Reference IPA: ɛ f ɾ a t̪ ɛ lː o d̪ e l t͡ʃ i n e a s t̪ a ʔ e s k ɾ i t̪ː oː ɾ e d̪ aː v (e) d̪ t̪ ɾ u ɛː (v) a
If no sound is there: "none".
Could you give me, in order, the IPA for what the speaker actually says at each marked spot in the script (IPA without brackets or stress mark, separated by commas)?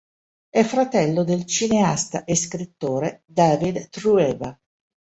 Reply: i, v